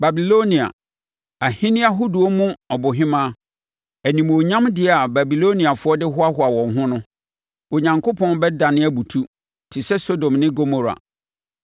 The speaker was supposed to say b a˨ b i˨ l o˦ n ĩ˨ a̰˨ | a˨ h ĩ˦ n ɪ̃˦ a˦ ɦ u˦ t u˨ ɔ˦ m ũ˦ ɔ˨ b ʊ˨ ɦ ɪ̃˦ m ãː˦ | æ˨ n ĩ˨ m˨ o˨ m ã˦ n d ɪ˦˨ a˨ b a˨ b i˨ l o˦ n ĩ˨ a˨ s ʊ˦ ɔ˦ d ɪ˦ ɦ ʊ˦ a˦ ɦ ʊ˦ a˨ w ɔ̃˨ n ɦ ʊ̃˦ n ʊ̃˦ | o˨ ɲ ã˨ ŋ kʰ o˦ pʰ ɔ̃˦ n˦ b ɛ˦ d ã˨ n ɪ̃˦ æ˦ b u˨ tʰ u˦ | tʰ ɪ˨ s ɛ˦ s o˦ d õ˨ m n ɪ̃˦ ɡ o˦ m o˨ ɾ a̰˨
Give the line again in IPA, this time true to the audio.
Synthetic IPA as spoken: b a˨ b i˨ l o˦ n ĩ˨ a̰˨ | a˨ h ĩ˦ n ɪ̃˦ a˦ ɦ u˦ d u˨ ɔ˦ m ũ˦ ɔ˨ b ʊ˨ ɦ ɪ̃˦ m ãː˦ | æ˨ n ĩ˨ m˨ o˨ ɲ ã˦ m d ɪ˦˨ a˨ b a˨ b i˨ l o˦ n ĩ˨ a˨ f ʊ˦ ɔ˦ d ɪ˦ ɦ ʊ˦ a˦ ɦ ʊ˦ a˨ w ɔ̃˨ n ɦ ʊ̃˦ n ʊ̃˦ | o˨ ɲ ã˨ ŋ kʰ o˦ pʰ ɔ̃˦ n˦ b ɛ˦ d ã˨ n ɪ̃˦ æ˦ b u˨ tʰ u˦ | tʰ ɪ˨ s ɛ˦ s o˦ d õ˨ m n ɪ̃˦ ɡ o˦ m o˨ ɾ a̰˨